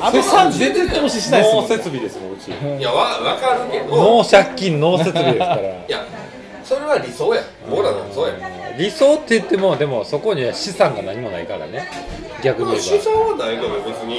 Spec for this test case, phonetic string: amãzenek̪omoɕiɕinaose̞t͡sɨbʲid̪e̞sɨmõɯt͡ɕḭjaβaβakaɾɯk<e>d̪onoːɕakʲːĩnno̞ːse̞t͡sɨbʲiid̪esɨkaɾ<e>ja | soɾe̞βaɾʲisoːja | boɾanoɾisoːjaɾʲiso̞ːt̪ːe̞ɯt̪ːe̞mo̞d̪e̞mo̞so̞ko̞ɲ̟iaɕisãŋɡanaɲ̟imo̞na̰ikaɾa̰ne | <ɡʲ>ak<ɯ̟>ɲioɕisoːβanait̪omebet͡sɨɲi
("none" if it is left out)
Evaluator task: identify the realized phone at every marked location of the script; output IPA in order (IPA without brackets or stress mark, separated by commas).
e, a, ɡʲ, ɯ̟